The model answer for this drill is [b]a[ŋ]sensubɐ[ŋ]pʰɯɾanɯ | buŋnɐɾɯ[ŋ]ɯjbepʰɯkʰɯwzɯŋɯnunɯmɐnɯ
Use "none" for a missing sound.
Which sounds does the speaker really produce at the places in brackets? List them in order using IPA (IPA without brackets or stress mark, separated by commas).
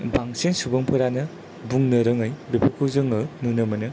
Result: b, ŋ, ŋ, ŋ